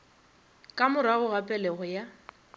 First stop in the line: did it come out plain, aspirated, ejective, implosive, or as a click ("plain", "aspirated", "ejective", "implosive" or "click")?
ejective